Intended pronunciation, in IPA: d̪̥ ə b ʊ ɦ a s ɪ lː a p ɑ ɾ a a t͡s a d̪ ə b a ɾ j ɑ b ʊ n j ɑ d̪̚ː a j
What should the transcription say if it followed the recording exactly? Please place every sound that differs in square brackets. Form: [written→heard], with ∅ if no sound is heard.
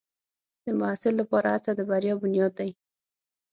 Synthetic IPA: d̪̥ ə [b→m] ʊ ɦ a s ɪ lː a p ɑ ɾ a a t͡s a d̪ ə b a ɾ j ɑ b ʊ n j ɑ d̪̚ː a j